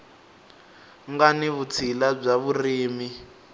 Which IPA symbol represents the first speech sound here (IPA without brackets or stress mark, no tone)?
ŋ